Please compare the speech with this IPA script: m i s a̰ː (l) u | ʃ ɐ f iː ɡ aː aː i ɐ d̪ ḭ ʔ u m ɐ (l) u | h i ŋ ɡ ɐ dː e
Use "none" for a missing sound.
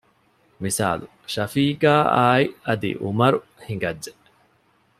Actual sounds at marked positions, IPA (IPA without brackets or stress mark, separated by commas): l, ɾ